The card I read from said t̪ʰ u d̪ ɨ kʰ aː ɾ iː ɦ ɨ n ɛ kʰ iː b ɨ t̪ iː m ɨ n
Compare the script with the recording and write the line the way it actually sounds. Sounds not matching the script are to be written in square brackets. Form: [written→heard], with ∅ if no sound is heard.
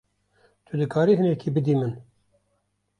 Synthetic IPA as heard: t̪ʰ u d̪ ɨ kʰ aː ɾ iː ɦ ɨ n ɛ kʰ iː b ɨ [t̪→d̪] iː m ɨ n